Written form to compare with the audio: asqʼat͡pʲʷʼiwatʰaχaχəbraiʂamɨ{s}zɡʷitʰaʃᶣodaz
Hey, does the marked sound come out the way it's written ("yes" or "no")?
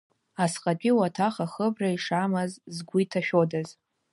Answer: no